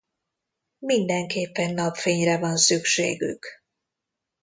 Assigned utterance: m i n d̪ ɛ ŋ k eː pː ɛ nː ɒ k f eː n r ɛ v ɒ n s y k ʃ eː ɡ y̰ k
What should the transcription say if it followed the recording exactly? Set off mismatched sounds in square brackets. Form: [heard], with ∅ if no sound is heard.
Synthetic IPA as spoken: m i n d̪ ɛ ŋ k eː pː ɛ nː ɒ [p] f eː [ɲ] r ɛ v ɒ n s y k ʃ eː ɡ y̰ k